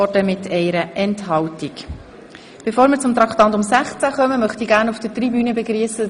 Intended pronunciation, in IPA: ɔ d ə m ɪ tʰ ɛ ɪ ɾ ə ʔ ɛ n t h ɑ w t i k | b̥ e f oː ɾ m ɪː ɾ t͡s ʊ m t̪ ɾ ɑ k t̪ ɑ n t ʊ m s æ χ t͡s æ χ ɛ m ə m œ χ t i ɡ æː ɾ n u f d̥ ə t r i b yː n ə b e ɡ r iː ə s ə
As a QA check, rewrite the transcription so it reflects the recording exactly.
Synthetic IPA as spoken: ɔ d ə m ɪ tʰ ɛ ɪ ɾ ə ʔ ɛ n t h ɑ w t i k | b̥ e f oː ɾ m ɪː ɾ t͡s ʊ m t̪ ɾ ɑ k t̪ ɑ n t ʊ m s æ χ t͡s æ χ œ m ə m œ χ t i ɡ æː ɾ n u f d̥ ə t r i b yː n ə b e ɡ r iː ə s ə

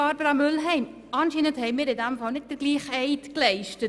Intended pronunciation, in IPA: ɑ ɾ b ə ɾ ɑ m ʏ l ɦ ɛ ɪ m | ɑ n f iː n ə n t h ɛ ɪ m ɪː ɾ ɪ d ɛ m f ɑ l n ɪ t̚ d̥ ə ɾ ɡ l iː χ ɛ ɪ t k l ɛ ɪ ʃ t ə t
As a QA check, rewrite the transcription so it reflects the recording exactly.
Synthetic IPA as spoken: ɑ ɾ b ə ɾ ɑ m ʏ l ɦ ɛ ɪ m | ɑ n ʃ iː n ə n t h ɛ ɪ m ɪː ɾ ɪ d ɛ m f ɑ l n ɪ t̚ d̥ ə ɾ ɡ l iː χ ɛ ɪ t k l ɛ ɪ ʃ t ə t

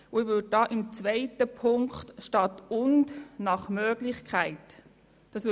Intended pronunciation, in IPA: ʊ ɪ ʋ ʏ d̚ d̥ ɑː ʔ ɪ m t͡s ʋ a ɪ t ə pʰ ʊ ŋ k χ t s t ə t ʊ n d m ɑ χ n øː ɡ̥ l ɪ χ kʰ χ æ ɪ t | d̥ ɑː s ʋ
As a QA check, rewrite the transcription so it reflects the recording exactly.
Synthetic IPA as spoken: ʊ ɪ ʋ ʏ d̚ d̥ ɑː ʔ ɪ m t͡s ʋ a ɪ t ə pʰ ʊ ŋ k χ t ʃ t ɑ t ʊ n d n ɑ χ m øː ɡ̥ l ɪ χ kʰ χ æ ɪ t | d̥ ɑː s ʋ

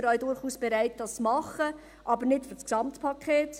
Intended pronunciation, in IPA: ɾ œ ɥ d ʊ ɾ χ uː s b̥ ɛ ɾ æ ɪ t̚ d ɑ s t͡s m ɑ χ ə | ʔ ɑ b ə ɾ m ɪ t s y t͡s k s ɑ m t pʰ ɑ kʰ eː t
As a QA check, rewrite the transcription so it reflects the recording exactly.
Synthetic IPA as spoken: ɾ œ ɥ d ʊ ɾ χ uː s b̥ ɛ ɾ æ ɪ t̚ d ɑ s t͡s m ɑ χ ə | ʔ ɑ b ə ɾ n ɪ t f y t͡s k s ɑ m t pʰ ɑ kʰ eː t

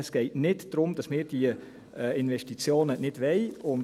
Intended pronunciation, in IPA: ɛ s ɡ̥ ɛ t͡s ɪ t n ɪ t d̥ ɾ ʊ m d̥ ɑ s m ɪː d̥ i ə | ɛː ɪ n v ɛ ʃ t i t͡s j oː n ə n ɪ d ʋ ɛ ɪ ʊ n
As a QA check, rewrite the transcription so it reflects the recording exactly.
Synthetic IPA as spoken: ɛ s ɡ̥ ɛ ɪ t n ɪ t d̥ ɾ ʊ m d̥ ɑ s m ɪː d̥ i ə | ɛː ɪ n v ɛ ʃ t i t͡s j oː n ə n ɪ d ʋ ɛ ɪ ʊ n

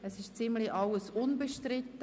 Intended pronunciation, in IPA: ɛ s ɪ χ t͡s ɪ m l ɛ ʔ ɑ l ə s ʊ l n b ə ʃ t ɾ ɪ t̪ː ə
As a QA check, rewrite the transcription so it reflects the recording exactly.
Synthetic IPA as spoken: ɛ s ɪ ʃ t͡s ɪ m l i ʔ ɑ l ə s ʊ n b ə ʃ t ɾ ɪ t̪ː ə

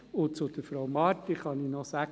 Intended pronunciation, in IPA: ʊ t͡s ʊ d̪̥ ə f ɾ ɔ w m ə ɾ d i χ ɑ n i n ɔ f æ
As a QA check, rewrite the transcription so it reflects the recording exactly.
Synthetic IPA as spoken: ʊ t͡s ʊ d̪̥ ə f ɾ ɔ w m ɑ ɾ t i χ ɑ n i n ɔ s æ

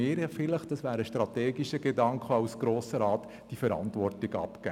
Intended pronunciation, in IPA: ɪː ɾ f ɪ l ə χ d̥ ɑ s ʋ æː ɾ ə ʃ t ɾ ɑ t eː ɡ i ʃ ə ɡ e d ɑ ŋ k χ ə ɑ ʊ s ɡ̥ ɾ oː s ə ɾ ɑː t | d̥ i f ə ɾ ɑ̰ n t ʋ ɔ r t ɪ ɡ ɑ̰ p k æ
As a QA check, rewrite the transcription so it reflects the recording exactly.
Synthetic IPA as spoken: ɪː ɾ f ɪ l ə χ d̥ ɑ s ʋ æː ɾ ə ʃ t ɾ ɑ t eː ɡ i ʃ ə ɡ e d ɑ ŋ k χ ə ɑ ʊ s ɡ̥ ɾ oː s ə ɾ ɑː t | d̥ i f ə ɾ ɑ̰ n t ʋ ɔ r t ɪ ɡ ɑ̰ p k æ

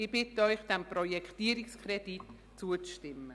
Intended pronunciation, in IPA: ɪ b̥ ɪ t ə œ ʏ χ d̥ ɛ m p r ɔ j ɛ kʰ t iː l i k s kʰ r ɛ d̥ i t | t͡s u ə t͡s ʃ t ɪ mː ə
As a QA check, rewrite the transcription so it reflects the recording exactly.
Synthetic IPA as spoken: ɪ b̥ ɪ t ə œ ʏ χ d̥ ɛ m p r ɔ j ɛ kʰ t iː ɾ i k s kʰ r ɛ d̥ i t | t͡s u ə t͡s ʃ t ɪ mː ə

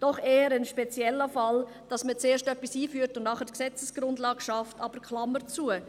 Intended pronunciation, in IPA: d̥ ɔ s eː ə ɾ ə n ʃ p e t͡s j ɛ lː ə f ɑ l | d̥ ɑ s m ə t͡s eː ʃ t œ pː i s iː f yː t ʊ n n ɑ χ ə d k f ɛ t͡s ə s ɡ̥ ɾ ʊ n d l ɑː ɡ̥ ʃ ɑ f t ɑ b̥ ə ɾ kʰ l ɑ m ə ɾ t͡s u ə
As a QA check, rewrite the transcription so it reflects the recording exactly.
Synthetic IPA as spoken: d̥ ɔ χ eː ə ɾ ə n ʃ p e t͡s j ɛ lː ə f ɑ l | d̥ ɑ s m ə t͡s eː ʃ t œ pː i s iː f yː t ʊ n n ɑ χ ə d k s ɛ t͡s ə s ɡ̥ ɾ ʊ n d l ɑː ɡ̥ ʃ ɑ f t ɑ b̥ ə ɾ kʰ l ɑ m ə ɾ t͡s u ə

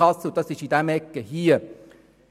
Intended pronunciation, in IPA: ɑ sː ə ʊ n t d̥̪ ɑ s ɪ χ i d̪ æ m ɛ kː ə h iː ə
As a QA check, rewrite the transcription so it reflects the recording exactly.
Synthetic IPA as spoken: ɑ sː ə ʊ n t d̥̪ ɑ s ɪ ʃ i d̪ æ m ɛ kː ə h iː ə

